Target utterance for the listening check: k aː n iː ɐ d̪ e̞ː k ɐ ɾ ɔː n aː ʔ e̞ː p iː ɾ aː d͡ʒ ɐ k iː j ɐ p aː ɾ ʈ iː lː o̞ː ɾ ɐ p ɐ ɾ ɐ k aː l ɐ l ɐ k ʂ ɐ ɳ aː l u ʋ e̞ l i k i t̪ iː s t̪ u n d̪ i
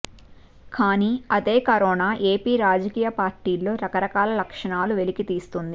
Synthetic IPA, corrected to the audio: k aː n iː ɐ d̪ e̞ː k ɐ ɾ ɔː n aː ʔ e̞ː p iː ɾ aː d͡ʒ ɐ k iː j ɐ p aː ɾ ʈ iː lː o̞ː ɾ ɐ k ɐ ɾ ɐ k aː l ɐ l ɐ k ʂ ɐ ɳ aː l u ʋ e̞ l i k i t̪ iː s t̪ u n d̪ i